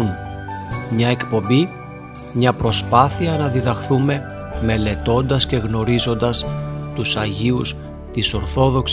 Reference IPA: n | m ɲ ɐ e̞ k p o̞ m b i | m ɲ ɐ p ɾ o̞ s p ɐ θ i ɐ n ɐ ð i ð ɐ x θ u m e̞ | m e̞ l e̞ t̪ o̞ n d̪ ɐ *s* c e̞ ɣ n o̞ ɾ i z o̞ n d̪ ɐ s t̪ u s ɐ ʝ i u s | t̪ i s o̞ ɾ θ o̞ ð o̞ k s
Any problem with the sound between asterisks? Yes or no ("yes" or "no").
no